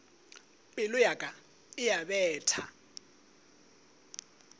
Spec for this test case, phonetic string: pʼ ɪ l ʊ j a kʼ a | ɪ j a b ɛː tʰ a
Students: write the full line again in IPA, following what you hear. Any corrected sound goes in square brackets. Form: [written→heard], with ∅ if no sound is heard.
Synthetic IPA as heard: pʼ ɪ l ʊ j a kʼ a | ɪ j a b ɛː tʰ a